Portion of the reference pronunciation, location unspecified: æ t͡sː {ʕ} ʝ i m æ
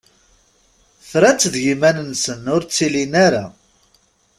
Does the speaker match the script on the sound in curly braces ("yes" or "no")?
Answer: no